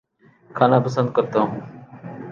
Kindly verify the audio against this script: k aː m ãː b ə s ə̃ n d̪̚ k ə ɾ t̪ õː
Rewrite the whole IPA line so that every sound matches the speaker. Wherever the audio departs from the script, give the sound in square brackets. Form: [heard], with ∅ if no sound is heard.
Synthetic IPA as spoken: [kʰ] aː [n] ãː [p] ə s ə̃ n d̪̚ k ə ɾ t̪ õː